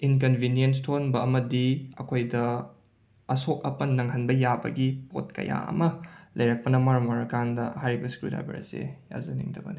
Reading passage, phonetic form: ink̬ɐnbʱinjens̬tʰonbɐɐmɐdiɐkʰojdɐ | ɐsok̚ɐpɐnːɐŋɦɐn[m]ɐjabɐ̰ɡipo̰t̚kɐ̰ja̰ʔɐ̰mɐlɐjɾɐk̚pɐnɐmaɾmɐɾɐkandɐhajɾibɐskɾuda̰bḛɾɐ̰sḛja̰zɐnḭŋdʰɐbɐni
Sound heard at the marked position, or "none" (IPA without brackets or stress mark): b